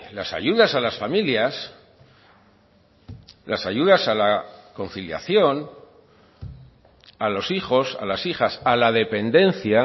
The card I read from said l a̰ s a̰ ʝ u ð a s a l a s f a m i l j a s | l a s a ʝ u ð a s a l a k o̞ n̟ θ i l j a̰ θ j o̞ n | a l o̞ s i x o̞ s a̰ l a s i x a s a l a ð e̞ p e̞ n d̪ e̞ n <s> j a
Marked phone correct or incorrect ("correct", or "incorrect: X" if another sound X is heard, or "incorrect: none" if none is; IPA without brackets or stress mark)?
incorrect: θ